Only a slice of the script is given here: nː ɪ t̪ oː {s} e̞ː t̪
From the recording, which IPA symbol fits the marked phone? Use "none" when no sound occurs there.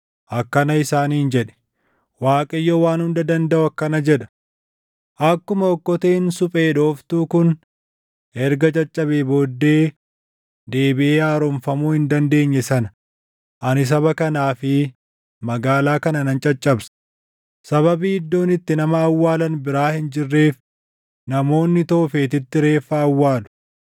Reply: f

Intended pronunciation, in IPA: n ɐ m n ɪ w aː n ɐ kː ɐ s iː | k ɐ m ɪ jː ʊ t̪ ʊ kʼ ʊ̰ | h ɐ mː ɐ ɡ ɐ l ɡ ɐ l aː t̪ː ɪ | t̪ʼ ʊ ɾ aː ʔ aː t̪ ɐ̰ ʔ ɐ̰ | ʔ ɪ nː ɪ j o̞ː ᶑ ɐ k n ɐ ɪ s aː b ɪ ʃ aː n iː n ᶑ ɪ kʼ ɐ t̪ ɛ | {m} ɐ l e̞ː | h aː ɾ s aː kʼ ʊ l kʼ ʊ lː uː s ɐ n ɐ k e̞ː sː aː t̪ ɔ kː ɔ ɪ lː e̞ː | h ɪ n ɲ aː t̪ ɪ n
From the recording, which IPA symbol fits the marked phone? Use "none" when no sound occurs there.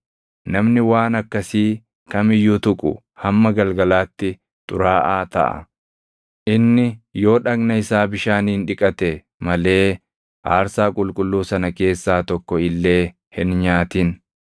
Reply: m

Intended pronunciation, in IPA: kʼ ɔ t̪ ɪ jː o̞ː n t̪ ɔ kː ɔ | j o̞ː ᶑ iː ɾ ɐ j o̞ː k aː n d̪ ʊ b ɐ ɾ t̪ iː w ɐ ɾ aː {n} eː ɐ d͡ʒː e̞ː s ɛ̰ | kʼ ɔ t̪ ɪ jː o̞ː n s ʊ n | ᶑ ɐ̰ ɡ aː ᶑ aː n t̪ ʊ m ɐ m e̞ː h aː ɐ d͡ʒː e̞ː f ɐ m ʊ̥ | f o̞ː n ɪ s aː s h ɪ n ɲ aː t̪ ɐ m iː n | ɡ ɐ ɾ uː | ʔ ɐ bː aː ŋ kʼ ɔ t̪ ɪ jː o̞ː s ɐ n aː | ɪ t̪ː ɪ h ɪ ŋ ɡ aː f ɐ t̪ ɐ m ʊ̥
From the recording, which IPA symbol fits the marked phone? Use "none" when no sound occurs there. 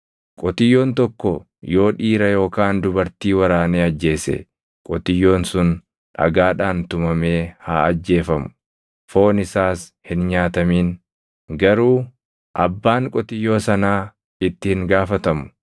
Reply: n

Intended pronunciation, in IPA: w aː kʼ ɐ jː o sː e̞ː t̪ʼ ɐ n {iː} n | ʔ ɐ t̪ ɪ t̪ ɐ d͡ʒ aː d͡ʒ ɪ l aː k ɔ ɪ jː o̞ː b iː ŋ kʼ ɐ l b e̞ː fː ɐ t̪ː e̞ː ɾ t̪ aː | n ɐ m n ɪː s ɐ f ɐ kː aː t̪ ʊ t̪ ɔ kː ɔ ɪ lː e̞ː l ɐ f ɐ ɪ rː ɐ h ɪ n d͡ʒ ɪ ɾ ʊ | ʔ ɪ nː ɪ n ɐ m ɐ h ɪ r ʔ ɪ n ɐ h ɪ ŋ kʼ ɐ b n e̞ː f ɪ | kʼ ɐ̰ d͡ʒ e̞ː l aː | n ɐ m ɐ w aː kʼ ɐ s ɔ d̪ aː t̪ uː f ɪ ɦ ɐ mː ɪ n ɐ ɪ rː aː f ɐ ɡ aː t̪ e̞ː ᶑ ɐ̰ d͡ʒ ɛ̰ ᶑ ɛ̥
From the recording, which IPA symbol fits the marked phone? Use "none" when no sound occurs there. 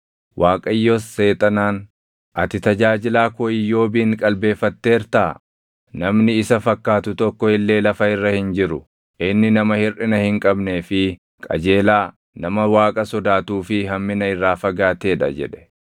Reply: aː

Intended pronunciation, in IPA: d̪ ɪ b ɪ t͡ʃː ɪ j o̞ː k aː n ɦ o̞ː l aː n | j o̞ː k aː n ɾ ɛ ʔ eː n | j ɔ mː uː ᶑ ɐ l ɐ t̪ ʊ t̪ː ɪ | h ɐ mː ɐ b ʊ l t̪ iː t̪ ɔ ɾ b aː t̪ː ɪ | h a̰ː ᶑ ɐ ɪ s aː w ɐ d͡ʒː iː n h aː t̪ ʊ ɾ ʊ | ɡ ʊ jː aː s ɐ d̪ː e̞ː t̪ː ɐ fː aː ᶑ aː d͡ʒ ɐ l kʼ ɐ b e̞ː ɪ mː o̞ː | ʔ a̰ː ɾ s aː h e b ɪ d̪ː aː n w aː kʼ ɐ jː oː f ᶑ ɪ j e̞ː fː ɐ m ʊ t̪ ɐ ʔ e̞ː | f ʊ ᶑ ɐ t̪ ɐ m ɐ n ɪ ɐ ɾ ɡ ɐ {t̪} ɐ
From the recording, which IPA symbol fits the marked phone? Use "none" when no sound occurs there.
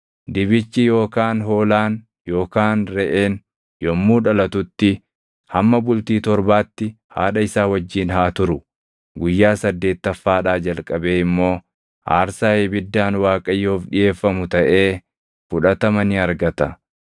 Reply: t̪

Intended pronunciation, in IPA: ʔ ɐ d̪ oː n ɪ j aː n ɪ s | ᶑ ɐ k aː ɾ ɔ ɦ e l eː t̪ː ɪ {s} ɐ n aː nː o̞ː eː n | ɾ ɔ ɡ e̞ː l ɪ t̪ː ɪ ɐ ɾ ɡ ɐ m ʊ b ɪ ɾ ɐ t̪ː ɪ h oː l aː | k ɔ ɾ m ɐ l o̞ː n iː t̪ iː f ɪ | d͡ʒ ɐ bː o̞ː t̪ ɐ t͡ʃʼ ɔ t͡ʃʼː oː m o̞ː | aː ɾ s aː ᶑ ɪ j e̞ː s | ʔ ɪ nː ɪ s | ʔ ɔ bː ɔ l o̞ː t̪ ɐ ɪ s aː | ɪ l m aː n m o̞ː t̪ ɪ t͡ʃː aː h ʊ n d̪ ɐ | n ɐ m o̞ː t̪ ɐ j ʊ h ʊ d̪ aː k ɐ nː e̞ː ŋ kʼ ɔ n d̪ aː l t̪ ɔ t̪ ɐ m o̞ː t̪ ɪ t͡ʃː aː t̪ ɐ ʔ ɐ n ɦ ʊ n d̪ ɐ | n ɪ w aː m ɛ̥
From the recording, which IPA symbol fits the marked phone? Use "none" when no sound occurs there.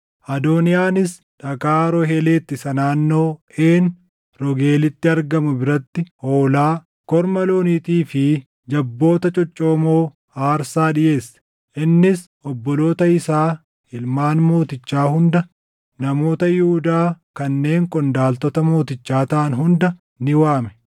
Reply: s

